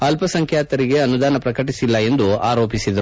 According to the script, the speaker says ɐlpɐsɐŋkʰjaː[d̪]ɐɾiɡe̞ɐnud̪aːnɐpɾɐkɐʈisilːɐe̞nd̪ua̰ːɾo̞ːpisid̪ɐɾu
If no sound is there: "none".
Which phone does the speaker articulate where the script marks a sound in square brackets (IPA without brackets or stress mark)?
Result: t̪